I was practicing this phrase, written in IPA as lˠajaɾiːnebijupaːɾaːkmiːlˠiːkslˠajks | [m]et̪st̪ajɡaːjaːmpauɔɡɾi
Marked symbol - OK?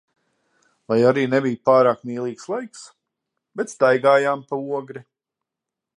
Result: no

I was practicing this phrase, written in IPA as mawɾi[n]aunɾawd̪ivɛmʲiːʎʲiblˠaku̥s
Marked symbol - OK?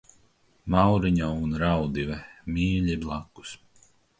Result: no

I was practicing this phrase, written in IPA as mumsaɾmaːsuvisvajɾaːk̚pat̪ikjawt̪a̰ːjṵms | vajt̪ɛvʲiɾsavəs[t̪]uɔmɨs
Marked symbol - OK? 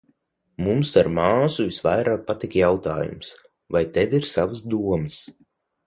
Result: no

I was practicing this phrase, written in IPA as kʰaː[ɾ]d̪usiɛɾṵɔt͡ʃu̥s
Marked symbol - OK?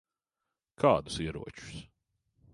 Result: no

